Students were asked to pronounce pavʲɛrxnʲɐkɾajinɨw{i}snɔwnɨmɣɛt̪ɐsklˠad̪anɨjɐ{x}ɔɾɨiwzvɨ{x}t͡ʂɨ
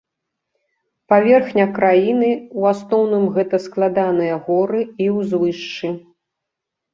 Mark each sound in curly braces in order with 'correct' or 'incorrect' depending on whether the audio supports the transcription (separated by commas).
incorrect, incorrect, incorrect